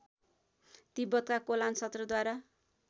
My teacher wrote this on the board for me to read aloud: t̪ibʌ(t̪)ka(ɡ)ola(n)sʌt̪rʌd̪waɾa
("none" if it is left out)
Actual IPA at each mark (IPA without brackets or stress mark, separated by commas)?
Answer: t̪, k, n